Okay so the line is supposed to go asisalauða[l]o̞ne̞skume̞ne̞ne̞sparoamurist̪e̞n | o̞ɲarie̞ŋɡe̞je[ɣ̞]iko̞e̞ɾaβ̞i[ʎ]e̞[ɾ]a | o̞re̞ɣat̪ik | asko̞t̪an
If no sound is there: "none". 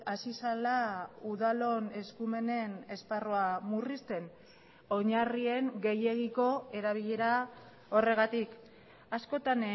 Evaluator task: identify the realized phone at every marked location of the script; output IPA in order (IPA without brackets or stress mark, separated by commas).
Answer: l, ɣ̞, ʎ, ɾ